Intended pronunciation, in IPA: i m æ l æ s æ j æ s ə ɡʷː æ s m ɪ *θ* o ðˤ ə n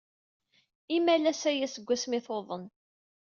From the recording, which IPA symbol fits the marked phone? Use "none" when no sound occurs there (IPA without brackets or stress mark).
θ